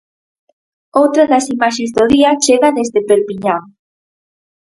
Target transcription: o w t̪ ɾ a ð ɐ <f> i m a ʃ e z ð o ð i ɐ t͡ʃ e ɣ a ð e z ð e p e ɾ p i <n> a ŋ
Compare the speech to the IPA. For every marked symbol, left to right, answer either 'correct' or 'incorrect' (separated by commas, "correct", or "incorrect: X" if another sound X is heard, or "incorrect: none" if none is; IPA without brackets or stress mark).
incorrect: s, incorrect: ɲ